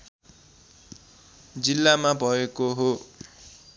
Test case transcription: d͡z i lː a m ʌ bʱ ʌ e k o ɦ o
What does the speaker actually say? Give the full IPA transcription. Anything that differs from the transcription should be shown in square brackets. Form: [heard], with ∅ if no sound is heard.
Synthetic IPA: d͡z i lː a m [a] bʱ ʌ e k o ɦ o